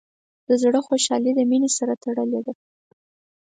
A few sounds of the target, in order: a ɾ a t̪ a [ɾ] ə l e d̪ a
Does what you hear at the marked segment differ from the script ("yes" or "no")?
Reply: yes